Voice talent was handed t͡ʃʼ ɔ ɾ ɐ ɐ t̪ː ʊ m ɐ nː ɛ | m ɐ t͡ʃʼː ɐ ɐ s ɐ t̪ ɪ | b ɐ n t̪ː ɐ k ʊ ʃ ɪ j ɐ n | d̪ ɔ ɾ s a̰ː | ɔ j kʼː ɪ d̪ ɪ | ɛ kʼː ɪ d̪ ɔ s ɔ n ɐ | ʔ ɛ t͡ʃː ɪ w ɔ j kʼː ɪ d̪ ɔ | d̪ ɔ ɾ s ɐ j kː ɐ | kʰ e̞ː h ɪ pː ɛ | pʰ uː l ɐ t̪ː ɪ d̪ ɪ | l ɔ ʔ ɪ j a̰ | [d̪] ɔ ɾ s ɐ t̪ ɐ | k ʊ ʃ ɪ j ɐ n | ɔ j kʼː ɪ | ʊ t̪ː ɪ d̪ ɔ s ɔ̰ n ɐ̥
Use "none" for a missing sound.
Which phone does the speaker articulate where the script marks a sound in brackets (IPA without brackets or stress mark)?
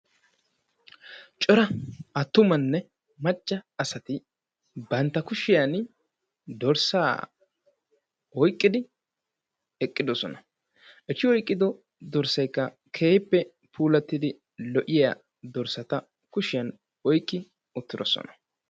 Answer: d̪